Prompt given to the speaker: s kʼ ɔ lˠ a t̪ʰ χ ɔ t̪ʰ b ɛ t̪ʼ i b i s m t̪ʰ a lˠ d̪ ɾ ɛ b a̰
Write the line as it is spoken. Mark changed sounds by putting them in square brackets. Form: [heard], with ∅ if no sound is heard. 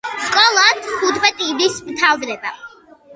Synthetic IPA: s kʼ ɔ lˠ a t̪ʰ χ [u] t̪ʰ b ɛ t̪ʼ i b i s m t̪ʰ a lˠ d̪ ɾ ɛ b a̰